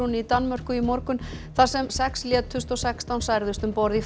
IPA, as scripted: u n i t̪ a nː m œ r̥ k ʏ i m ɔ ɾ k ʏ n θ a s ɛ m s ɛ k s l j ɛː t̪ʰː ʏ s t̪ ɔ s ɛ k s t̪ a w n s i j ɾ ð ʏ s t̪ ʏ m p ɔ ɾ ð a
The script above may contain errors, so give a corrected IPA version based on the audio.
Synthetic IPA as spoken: u n i t̪ a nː m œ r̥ k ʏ i m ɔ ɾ k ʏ n θ a s ɛ m s ɛ k s l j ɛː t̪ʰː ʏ s t̪ ɔ s ɛ k s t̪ a w n s a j ɾ ð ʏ s t̪ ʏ m p ɔ ɾ ð i